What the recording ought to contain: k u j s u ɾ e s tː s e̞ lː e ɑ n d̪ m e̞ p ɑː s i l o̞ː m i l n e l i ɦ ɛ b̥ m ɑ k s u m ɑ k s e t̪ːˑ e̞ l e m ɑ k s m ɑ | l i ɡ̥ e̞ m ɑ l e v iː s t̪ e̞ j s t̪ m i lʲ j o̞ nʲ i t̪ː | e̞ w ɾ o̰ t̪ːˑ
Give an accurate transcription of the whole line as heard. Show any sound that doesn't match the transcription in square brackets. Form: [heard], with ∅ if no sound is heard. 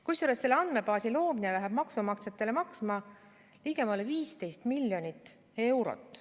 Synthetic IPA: k u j s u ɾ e s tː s e̞ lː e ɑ n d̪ m e̞ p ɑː s i l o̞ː m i [∅] n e l [æ] ɦ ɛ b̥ m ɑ k s u m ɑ k s e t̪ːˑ e̞ l e m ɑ k s m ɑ | l i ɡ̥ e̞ m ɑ l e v iː s t̪ e̞ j s t̪ m i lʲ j o̞ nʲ i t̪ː | e̞ w ɾ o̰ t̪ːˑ